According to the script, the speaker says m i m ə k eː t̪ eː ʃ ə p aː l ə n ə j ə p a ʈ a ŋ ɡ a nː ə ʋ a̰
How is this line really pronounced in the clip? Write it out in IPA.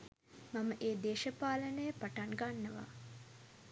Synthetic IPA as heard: m a m ə ʔ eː d̪ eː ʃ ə p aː l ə n ə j ə p a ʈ a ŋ ɡ a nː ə ʋ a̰